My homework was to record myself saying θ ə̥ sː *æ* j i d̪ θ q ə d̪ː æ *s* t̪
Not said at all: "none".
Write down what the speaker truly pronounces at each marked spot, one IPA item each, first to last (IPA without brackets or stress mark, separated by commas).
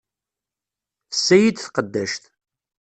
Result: æ, ʃ